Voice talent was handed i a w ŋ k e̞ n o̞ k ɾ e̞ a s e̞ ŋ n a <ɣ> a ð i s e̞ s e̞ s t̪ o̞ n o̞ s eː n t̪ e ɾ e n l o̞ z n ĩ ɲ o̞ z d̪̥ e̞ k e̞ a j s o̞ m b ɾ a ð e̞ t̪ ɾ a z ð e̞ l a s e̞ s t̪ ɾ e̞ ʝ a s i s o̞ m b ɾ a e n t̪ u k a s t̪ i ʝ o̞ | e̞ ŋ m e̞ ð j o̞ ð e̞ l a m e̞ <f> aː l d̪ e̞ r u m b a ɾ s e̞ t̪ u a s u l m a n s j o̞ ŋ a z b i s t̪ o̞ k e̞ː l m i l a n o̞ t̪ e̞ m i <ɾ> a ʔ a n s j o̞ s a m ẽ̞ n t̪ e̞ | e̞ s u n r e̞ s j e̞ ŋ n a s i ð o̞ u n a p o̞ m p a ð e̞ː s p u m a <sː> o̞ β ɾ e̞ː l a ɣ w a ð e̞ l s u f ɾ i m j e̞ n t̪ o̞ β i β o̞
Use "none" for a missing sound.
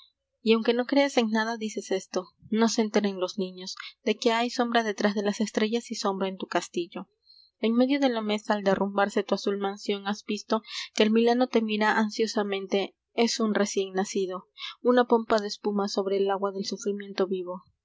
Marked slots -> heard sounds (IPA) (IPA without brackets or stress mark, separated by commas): ð, s, ɾ, s